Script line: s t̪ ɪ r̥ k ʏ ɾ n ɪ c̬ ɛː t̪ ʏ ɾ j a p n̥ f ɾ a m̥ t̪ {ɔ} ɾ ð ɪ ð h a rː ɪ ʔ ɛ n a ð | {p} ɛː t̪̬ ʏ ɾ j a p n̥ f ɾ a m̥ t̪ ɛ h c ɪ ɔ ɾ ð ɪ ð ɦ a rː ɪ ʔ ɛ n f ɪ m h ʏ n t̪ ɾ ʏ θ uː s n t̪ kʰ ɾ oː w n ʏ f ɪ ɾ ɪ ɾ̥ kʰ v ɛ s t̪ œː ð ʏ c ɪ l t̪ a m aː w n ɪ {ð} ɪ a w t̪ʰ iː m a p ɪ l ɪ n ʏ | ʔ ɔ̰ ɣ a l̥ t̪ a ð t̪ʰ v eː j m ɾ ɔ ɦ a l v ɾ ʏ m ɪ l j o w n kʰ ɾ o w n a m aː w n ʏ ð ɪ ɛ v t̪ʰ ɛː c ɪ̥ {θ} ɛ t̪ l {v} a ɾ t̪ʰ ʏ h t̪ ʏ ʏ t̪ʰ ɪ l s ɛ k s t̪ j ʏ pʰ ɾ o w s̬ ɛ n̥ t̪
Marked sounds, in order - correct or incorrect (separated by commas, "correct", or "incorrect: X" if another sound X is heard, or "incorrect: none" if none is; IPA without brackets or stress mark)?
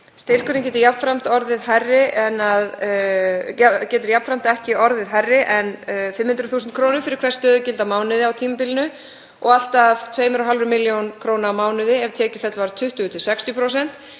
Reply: correct, incorrect: c, correct, incorrect: f, correct